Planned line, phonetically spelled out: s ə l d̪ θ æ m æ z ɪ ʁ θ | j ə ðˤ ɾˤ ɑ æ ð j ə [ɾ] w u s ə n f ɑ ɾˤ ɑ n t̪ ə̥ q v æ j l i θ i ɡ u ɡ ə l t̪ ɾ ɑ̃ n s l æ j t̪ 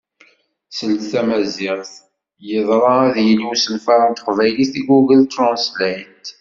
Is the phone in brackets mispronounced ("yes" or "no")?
yes